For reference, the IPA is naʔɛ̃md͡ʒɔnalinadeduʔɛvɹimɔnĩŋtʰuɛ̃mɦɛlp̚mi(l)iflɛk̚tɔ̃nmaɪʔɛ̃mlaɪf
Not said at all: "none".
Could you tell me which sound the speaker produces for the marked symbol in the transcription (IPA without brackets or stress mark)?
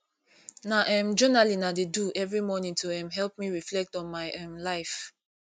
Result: ɹ